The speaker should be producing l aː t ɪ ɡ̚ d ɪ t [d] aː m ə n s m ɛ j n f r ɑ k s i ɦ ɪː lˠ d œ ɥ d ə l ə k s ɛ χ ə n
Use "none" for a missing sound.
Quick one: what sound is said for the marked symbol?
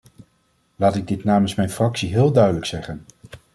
n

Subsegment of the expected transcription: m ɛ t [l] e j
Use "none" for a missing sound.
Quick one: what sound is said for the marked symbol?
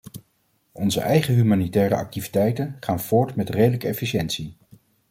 r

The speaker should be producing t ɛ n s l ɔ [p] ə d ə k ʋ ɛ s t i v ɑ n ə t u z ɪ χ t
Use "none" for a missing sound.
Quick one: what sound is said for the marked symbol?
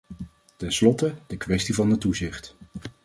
t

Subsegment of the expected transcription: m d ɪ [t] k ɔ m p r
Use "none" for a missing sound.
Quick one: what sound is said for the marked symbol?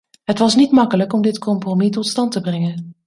t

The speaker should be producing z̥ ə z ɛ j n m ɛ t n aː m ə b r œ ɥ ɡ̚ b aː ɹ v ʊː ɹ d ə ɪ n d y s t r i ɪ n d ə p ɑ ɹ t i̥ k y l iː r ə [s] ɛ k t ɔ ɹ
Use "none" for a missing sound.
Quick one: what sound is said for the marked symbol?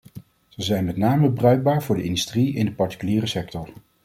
s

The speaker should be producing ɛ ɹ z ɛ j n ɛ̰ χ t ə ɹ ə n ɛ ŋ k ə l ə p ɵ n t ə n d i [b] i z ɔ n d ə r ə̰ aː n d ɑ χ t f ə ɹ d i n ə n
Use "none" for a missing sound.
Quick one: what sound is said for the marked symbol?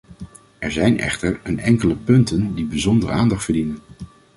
b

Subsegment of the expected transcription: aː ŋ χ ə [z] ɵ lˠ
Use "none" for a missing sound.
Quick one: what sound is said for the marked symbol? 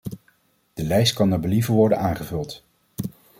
v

